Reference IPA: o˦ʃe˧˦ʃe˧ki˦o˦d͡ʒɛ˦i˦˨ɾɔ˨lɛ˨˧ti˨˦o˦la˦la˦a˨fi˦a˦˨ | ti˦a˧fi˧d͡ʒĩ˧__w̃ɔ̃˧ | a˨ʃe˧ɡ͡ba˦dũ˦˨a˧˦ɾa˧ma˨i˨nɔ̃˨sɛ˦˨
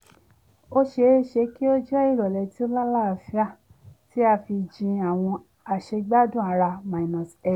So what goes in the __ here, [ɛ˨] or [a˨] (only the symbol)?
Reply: a˨